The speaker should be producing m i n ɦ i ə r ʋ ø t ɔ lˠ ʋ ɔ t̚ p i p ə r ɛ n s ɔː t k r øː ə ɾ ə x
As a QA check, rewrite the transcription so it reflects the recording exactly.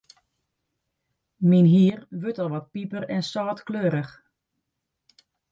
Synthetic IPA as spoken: m i n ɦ i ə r ʋ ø t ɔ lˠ ʋ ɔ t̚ p i p ə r ɛ n s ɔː t k l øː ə ɾ ə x